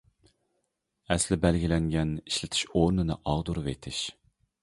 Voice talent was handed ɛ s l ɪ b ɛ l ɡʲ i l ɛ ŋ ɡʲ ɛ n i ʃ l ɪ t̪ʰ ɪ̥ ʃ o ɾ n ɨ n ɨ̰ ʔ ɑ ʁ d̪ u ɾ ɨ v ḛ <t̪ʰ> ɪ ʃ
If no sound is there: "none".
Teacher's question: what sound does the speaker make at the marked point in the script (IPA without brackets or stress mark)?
t̪ʰ